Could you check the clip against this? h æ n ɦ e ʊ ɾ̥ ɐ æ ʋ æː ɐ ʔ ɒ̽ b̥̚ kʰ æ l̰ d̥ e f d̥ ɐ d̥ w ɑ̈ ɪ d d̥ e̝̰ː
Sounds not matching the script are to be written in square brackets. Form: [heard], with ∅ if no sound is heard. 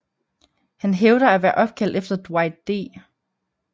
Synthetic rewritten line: h æ n ɦ e ʊ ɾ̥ ɐ æ ʋ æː ɐ ʔ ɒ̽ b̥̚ kʰ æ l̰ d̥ e f d̥ ɐ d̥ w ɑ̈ ɪ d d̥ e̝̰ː